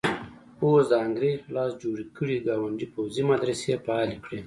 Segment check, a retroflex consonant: present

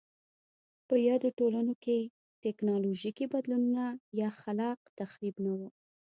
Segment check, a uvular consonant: present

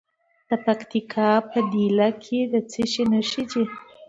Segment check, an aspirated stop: present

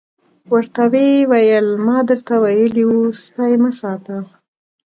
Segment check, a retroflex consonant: absent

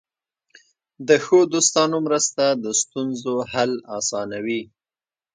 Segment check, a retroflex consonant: absent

